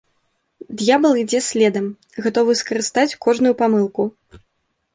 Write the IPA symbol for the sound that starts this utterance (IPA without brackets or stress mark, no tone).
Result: d̪